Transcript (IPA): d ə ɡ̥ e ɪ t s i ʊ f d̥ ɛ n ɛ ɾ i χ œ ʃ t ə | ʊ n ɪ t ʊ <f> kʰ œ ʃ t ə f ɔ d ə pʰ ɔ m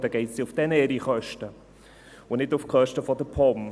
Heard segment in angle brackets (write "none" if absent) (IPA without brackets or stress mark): f